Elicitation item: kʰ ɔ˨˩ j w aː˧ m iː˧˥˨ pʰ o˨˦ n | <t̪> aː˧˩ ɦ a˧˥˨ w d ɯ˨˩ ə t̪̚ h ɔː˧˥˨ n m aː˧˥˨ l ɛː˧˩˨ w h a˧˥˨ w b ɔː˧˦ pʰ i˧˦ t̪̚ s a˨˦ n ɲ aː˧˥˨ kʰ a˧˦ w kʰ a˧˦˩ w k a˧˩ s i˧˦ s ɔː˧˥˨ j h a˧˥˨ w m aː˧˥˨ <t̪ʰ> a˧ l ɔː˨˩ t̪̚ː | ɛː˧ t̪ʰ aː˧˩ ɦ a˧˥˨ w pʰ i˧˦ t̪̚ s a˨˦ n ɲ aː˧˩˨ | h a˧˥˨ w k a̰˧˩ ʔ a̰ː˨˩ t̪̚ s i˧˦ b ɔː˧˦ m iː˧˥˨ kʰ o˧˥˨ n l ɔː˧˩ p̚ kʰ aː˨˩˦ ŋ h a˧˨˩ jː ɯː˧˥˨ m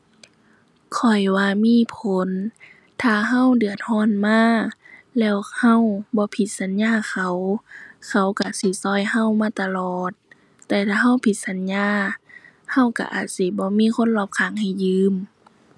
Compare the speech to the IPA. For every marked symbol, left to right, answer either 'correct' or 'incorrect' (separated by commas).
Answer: incorrect, incorrect